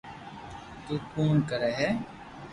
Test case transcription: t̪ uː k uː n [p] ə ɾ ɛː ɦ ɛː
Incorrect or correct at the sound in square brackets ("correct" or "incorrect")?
incorrect